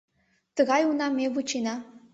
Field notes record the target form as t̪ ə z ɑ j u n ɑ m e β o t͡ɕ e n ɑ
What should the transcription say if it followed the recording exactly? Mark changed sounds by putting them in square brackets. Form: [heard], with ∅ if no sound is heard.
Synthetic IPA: t̪ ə [ɣ] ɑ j u n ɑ m e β [u] t͡ɕ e n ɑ